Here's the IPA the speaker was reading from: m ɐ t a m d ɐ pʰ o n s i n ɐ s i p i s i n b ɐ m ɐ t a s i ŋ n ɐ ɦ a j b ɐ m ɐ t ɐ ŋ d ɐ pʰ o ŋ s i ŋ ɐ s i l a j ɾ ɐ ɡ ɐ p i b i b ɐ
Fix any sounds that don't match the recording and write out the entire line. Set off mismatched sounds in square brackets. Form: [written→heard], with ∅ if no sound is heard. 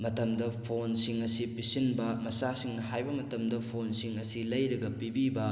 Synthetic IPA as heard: m ɐ t [a→ɐ] m d ɐ pʰ o n s i [n→ŋ] ɐ s i p i s i n b ɐ m ɐ [t→s] a s i ŋ n ɐ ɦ a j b ɐ m ɐ t ɐ [ŋ→m] d ɐ pʰ o [ŋ→n] s i ŋ ɐ s i l [a→ɐ] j ɾ ɐ ɡ ɐ p i b i b ɐ

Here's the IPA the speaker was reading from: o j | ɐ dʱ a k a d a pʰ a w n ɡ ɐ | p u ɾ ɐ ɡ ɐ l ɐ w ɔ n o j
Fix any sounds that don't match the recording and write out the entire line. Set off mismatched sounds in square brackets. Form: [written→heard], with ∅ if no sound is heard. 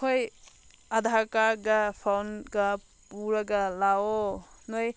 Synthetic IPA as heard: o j | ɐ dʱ a k a [d→ɡ] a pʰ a w n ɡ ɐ | p u ɾ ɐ ɡ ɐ l [ɐ→a] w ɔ n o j

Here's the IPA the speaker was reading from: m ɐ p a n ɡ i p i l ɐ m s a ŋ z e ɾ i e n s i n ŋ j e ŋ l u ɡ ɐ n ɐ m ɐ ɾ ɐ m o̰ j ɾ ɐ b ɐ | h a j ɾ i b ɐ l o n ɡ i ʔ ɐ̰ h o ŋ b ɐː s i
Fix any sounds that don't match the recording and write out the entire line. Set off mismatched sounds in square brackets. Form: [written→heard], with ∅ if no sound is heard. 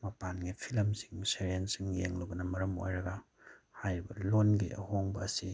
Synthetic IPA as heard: m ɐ p a n ɡ i [p→pʰ] i l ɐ m s [a→i] ŋ [z→s] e ɾ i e n s i [n→∅] ŋ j e ŋ l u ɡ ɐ n ɐ m ɐ ɾ ɐ m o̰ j ɾ ɐ [b→ɡ] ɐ | h a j ɾ i b ɐ l o n ɡ i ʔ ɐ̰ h o ŋ b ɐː s i

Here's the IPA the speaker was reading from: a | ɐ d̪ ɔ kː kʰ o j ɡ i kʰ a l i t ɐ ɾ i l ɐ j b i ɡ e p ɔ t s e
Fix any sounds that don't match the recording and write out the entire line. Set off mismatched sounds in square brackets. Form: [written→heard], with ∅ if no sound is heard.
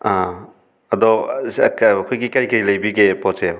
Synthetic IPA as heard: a | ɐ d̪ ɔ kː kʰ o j ɡ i [kʰ→k] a [l→ɾ] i [t→k] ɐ ɾ i l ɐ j b i ɡ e p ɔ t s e

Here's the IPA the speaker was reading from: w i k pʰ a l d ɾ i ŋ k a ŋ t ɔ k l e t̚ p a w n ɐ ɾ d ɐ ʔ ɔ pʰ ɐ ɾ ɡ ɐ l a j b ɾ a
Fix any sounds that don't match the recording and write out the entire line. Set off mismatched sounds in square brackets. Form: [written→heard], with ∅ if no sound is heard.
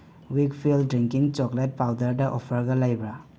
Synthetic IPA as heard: w i k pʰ [a→i] l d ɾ i ŋ k [a→i] ŋ [t→t͡ʃ] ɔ k l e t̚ p a w [n→d] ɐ ɾ d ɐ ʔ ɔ pʰ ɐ ɾ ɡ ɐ l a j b ɾ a

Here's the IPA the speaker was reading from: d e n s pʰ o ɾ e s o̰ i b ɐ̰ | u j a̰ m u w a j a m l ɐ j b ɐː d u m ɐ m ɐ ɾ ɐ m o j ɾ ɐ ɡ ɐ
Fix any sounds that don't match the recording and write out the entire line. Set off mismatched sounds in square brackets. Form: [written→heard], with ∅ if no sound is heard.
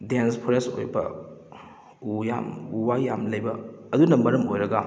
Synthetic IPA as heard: d e n s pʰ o ɾ e s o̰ [i→j] b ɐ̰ | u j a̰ m u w a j a m l ɐ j b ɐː d u [m→n] ɐ m ɐ ɾ ɐ m o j ɾ ɐ ɡ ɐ

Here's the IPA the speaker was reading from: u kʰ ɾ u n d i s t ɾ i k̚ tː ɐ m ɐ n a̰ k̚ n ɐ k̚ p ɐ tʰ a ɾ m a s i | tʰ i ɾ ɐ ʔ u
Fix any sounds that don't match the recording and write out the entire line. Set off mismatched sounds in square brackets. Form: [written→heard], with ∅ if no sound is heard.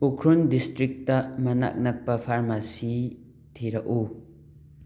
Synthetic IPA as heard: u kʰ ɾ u n d i s t ɾ i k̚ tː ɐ m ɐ n a̰ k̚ n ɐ k̚ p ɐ [tʰ→pʰ] a ɾ m a s i | tʰ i ɾ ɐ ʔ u

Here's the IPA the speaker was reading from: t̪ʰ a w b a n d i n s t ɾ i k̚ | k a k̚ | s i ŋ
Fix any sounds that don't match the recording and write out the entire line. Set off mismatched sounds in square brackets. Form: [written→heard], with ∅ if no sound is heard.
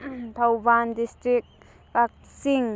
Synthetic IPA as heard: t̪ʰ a w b a n d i [n→∅] s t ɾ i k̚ | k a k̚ | s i ŋ

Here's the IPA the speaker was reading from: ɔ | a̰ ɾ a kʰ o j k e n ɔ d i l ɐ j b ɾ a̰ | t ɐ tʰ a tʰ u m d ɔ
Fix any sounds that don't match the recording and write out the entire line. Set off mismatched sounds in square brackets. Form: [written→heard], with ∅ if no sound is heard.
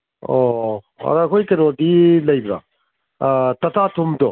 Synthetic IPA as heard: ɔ | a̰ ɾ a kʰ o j k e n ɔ d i l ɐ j b ɾ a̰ | t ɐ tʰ a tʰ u m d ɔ

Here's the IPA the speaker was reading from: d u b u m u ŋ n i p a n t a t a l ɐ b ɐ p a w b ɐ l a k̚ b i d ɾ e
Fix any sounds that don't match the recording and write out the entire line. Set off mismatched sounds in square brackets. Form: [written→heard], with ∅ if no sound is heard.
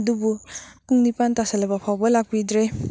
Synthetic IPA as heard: d u b u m u ŋ n i p a n t a [t→s] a l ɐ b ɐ [p→pʰ] a w b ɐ l a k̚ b i d ɾ e

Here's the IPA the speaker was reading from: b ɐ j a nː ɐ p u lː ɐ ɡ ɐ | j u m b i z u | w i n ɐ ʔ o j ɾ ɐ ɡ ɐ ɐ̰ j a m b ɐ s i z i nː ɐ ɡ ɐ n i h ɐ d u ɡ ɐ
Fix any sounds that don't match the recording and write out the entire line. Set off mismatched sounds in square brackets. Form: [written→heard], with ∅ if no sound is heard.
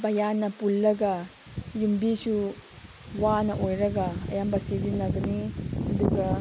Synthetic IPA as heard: b ɐ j a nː ɐ p u lː ɐ ɡ ɐ | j u m b i [z→s] u | w [i→a] n ɐ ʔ o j ɾ ɐ ɡ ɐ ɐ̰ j a m b ɐ s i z i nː ɐ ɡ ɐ n i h ɐ d u ɡ ɐ

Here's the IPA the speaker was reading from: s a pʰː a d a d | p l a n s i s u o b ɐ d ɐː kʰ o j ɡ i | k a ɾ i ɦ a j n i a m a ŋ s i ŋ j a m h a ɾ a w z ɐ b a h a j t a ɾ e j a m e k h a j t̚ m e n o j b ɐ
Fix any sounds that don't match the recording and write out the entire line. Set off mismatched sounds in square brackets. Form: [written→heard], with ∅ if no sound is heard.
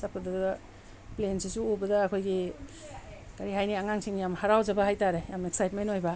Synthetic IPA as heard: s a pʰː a d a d | p l [a→e] n s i s u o b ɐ d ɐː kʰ o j ɡ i | k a ɾ i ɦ a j n i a [m→ŋ] a ŋ s i ŋ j a m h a ɾ a w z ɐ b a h a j t a ɾ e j a m e k [h→s] a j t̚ m e n o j b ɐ

